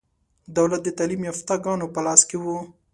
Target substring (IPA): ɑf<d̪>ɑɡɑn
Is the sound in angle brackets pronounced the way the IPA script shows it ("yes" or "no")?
no